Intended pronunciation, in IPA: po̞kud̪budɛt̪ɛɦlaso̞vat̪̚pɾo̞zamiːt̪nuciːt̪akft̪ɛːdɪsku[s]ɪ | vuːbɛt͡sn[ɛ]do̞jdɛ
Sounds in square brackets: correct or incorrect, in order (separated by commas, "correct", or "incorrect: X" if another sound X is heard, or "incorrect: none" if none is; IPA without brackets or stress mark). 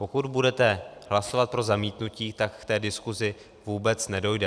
incorrect: z, correct